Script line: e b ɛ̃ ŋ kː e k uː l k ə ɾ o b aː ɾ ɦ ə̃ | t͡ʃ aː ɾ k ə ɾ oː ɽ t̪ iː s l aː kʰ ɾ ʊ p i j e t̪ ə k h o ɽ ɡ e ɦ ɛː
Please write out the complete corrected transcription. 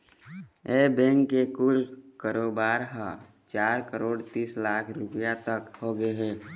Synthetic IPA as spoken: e b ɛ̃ ŋ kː e k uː l k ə ɾ o b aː ɾ ɦ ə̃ | t͡ʃ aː ɾ k ə ɾ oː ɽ t̪ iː s l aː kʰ ɾ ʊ p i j a t̪ ə k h o ɡ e ɦ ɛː